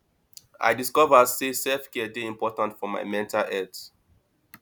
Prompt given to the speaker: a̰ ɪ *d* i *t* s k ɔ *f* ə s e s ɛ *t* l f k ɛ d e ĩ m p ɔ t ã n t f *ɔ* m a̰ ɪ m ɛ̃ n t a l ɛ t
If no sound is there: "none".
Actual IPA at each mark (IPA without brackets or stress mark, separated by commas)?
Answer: d, none, v, none, ɔ